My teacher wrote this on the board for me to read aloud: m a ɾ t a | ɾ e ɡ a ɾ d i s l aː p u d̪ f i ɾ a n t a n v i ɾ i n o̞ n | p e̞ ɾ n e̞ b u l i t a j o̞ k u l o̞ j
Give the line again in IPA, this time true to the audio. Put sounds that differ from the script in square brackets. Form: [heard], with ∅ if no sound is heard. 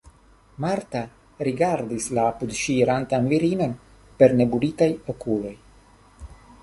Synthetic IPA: m a ɾ t a | ɾ [i] ɡ a ɾ d i s l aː p u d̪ [ʃ] i ɾ a n t a n v i ɾ i n o̞ n | p e̞ ɾ n e̞ b u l i t a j o̞ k u l o̞ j

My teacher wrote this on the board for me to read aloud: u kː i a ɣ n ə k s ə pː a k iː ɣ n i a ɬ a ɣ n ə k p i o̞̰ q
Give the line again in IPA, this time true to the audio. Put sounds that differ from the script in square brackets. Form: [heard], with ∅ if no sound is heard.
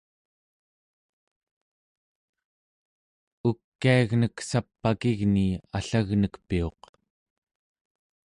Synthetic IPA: u kː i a ɣ n ə k s [a] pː a k [i] ɣ n i a ɬ a ɣ n ə k p i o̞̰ q

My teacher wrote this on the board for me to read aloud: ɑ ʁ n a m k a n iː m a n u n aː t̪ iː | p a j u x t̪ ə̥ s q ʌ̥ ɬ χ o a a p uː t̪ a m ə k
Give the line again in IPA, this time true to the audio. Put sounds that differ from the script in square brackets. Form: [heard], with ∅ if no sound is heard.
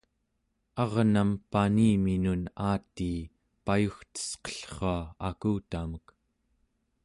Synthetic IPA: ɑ ʁ n a m [p] a n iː m [i] n u n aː t̪ iː | p a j u x t̪ ə̥ s q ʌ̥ ɬ χ o a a [k] uː t̪ a m ə k

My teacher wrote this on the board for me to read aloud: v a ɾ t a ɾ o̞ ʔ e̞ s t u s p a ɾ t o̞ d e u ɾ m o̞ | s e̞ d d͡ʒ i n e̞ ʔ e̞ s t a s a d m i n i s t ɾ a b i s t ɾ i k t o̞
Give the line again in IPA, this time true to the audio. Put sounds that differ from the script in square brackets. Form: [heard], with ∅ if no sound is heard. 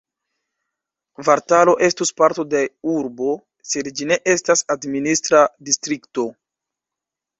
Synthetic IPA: v a ɾ t a [l] o̞ ʔ e̞ s t u s p a ɾ t o̞ d e u ɾ [b] o̞ | s e̞ d d͡ʒ i n e̞ ʔ e̞ s t a s a d m i n i s t ɾ a [d] i s t ɾ i k t o̞

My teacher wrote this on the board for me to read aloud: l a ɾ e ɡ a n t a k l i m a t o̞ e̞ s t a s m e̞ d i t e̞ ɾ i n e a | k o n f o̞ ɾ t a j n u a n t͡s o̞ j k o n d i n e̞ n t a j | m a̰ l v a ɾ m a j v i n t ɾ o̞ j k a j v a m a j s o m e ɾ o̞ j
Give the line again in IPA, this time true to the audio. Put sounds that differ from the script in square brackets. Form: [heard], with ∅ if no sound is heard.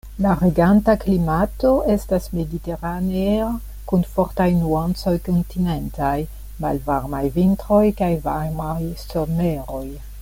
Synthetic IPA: l a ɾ e ɡ a n t a k l i m a t o̞ e̞ s t a s m e̞ d i t e̞ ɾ [a] n e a | k [u] n f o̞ ɾ t a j n u a n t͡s o̞ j k o n [t] i n e̞ n t a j | m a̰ l v a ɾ m a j v i n t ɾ o̞ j k a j v a m a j s o m e ɾ o̞ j

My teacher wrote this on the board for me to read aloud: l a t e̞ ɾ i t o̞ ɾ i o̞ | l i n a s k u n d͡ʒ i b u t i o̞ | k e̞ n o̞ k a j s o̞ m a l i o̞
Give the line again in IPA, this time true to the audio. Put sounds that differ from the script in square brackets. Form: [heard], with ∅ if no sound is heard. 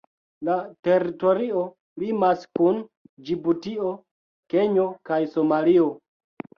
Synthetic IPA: l a t e̞ ɾ i t o̞ ɾ i o̞ | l i [m] a s k u n d͡ʒ i b u t i o̞ | k e̞ [ɲ] o̞ k a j s o̞ m a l i o̞

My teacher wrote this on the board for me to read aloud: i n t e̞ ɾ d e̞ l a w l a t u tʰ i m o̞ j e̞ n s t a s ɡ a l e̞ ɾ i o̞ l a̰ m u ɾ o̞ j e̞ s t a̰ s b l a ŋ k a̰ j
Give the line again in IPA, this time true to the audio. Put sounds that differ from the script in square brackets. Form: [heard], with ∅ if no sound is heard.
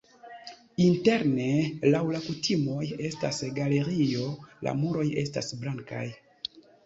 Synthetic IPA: i n t e̞ ɾ [n] e̞ l a w l a [k] u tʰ i m o̞ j e̞ [∅] s t a s ɡ a l e̞ ɾ i o̞ l a̰ m u ɾ o̞ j e̞ s t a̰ s b l a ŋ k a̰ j

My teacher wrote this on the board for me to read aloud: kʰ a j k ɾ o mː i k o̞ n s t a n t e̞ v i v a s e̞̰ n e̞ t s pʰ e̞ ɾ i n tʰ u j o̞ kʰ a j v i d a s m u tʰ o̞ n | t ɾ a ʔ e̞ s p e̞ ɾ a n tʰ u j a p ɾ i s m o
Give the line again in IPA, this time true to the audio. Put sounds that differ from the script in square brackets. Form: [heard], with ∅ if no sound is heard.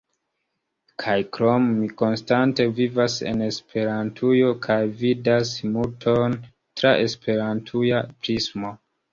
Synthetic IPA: kʰ a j k ɾ o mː i k o̞ n s t a n t e̞ v i v a s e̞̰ n e̞ [∅] s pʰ e̞ ɾ [a] n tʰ u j o̞ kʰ a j v i d a s m u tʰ o̞ n | t ɾ a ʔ e̞ s p e̞ ɾ a n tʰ u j a p ɾ i s m o

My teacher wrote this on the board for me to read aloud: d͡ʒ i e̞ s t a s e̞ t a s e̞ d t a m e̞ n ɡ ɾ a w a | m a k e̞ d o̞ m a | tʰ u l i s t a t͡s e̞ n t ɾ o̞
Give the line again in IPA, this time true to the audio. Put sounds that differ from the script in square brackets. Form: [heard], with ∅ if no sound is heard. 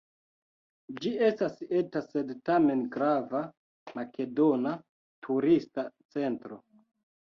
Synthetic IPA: d͡ʒ i e̞ s t a s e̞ t a s e̞ d t a m e̞ n ɡ ɾ a [v] a | m a k e̞ d o̞ [n] a | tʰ u [ɾ] i s t a t͡s e̞ n t ɾ o̞

